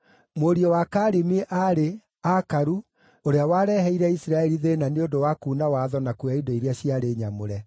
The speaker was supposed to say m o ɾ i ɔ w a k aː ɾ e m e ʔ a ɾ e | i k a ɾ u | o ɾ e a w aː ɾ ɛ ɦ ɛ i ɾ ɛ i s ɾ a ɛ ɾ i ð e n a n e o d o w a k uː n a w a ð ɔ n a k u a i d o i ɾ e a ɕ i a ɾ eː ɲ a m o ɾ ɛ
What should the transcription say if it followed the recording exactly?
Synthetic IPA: m o ɾ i ɔ w a k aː ɾ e m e ʔ a ɾ e | a k a ɾ u | o ɾ e a w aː ɾ ɛ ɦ ɛ i ɾ ɛ i s ɾ a ɛ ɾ i ð e n a n e o d o w a k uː n a w a ð ɔ n a k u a i d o i ɾ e a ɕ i a ɾ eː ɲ a m o ɾ ɛ